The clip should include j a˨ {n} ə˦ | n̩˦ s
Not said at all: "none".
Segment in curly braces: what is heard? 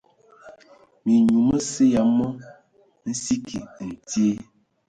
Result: m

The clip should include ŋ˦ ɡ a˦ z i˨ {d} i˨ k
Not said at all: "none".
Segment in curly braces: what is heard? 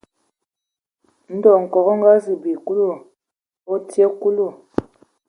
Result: b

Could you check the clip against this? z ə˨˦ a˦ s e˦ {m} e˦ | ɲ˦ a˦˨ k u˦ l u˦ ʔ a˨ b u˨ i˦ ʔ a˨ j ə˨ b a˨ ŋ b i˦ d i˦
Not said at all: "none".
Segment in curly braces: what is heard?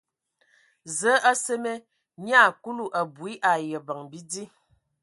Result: m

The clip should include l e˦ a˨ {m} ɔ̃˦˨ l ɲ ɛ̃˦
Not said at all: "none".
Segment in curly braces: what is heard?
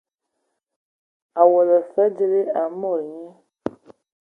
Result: m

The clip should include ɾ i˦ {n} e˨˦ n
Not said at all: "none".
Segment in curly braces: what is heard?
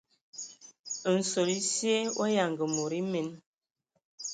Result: m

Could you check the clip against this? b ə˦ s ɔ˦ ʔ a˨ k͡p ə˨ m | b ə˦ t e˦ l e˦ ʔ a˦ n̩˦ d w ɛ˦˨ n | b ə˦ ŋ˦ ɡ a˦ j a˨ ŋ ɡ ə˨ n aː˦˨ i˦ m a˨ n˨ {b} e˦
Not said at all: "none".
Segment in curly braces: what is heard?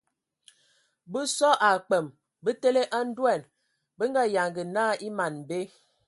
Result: b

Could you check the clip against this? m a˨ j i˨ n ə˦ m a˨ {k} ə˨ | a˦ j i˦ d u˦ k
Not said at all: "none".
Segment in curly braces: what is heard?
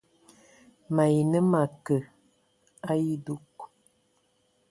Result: k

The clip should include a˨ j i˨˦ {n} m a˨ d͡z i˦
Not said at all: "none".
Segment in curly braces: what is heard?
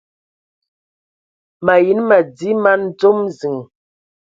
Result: n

